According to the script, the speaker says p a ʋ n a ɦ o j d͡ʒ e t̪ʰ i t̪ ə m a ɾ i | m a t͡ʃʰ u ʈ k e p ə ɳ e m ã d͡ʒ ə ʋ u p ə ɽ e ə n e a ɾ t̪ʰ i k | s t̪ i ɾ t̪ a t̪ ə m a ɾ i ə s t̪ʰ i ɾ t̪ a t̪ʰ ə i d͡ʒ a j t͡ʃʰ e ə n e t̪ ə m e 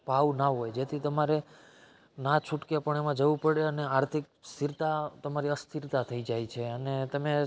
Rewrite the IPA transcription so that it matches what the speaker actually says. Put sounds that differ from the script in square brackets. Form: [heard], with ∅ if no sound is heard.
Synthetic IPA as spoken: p a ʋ n a ɦ o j d͡ʒ e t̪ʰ i t̪ ə m a ɾ [e] | [n] a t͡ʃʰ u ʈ k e p ə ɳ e m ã d͡ʒ ə ʋ u p ə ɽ e ə n e a ɾ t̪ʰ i k | s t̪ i ɾ t̪ a t̪ ə m a ɾ i ə s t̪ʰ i ɾ t̪ a t̪ʰ ə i d͡ʒ a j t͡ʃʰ e ə n e t̪ ə m e